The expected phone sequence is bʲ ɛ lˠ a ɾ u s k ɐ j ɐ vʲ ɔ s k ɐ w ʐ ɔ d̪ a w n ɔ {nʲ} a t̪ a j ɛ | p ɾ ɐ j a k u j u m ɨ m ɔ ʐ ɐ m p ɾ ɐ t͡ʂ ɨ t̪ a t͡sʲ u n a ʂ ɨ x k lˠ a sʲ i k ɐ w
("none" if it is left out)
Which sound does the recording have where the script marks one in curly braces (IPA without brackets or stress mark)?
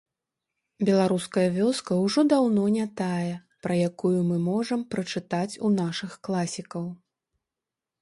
nʲ